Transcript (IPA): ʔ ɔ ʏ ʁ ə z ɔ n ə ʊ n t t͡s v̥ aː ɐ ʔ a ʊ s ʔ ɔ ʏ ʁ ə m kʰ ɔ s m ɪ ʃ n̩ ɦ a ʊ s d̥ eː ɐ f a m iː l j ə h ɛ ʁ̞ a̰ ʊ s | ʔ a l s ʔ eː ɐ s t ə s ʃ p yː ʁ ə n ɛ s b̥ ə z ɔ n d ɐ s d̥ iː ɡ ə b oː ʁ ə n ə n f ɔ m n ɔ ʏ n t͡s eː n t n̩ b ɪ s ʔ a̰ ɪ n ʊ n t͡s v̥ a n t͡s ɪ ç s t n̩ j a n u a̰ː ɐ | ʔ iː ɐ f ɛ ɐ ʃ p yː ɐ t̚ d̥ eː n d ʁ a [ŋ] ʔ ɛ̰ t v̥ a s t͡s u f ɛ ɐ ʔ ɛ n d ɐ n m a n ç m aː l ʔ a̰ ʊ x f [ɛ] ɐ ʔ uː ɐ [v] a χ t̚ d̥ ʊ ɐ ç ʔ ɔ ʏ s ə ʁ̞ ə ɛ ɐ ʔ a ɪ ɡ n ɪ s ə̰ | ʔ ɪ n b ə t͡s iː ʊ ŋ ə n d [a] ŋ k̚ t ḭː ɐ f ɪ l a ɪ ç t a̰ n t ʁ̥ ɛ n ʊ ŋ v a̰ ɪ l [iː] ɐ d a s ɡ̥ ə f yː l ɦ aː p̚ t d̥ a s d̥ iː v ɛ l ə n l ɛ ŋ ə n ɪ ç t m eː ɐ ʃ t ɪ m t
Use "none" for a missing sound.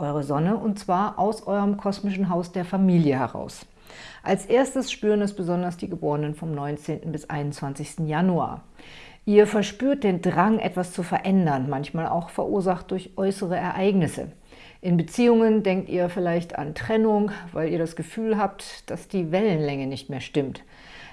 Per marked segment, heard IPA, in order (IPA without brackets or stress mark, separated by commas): ŋ, ɛ, z, ɛ, iː